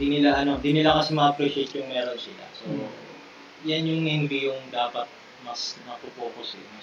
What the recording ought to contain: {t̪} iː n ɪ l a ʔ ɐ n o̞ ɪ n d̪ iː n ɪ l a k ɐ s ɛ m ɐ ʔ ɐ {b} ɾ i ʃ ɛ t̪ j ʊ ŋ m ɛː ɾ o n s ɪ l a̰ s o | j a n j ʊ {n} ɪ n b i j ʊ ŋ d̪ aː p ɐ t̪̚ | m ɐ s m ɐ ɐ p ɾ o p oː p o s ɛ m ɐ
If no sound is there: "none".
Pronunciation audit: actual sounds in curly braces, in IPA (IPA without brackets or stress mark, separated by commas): d̪, p, ŋ